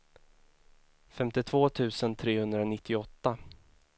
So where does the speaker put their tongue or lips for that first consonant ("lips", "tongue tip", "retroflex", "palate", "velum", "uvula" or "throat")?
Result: lips